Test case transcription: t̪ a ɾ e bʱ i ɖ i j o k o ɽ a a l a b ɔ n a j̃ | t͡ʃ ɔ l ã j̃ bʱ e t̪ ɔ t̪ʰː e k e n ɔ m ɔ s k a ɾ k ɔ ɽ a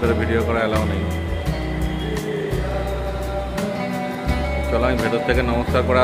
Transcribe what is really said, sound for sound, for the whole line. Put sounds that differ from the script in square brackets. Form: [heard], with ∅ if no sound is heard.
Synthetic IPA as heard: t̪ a ɾ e bʱ i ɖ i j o k [ɔ] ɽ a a l a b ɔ n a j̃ | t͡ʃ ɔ l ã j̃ bʱ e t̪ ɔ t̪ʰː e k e n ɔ m ɔ s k a ɾ k ɔ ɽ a